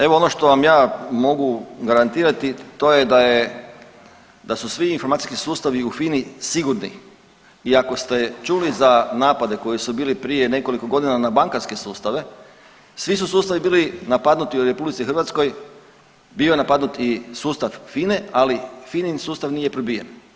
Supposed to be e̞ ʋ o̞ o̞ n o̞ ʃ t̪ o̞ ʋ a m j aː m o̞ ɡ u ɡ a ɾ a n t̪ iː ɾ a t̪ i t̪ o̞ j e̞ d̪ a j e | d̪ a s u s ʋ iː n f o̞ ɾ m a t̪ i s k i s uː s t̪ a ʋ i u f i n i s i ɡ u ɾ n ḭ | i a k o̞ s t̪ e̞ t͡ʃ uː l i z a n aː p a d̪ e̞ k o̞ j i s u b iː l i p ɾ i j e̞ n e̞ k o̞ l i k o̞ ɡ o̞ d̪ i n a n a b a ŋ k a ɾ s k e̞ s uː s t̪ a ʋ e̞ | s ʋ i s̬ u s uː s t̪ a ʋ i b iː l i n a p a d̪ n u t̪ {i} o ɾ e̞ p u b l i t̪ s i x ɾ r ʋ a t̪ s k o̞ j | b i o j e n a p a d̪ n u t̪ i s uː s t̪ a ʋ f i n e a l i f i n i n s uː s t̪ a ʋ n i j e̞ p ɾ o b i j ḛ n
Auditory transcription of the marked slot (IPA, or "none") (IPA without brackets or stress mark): i